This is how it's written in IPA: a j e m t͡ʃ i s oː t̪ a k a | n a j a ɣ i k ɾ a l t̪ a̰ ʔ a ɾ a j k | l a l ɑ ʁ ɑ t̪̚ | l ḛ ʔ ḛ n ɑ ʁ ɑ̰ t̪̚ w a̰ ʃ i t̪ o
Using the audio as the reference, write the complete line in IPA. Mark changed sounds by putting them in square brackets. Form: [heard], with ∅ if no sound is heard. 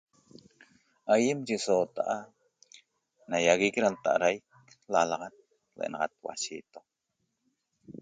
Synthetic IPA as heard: a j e m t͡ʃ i s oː t̪ a [ʔ] a | n a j a ɣ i k ɾ a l t̪ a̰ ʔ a ɾ a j k | l a l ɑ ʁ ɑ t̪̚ | l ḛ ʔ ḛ n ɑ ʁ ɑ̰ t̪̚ w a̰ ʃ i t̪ o